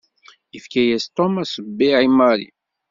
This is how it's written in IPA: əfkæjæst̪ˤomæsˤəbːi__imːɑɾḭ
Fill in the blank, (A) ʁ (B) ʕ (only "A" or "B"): B